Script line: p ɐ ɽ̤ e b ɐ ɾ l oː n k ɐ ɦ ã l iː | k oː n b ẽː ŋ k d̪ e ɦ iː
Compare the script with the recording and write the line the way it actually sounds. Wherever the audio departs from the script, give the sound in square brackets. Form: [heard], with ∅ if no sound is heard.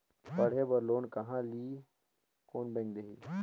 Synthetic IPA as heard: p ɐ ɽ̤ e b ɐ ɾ l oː n k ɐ ɦ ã l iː | k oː n b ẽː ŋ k d̪ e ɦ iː